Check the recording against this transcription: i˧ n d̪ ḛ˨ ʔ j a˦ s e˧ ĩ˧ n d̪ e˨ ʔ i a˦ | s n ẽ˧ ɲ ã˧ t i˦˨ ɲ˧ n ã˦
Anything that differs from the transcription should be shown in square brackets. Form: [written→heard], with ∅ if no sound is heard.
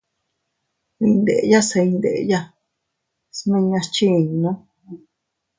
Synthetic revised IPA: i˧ n d̪ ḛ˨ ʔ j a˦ s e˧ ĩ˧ n d̪ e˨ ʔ [i→j] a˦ | s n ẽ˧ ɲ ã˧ [t→t͡ʃ] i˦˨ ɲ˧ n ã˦